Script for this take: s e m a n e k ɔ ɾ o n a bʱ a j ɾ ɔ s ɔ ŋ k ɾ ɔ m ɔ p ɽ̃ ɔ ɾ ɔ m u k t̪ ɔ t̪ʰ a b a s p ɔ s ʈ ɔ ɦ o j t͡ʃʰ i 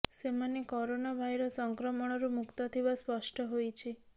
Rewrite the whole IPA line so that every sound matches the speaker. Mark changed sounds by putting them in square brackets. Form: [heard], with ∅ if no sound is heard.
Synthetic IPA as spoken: s e m a n e k ɔ ɾ o n a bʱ a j ɾ ɔ s ɔ ŋ k ɾ ɔ m ɔ [∅] ɽ̃ ɔ ɾ [u] m u k t̪ ɔ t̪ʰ [i] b a s p ɔ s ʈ ɔ ɦ o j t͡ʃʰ i